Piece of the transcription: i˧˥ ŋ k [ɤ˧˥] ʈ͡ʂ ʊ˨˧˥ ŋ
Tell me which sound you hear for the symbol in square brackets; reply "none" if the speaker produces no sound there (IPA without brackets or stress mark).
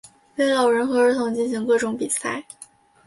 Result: ɤ˥˩